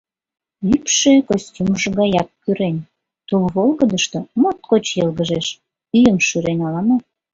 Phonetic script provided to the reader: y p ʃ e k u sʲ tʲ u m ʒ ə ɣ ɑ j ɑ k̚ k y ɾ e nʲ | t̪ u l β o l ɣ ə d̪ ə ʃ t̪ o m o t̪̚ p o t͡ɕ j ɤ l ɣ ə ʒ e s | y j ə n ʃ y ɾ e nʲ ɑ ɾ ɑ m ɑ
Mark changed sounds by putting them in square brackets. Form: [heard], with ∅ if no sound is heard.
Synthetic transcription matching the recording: y p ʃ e k [o] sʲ tʲ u m ʒ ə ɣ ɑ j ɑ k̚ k y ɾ e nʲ | t̪ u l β o l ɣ ə d̪ ə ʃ t̪ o m o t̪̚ [k] o t͡ɕ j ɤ l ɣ ə ʒ e [ʃ] | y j ə [m] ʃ y ɾ e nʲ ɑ [l] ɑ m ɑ